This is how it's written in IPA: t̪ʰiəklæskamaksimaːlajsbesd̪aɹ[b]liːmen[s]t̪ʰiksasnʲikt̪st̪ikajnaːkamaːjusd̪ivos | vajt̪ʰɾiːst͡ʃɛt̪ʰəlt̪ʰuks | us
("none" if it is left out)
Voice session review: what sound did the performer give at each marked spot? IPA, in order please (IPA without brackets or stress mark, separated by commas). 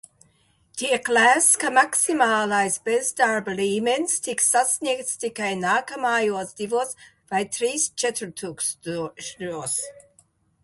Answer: b, s